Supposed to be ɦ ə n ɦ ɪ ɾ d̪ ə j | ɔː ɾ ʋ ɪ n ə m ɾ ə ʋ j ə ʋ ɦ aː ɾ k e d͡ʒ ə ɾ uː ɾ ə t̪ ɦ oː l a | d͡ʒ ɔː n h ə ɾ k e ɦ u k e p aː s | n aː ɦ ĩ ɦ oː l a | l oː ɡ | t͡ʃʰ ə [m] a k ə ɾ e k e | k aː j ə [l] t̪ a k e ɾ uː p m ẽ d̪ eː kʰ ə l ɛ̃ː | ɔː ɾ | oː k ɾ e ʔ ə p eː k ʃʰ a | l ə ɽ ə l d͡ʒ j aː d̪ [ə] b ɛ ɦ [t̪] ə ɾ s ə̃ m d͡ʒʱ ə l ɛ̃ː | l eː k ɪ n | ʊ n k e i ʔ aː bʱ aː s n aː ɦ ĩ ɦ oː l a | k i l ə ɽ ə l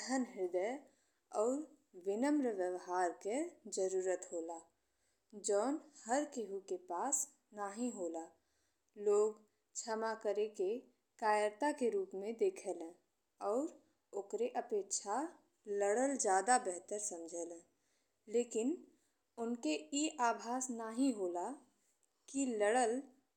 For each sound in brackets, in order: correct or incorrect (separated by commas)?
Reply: correct, incorrect, incorrect, correct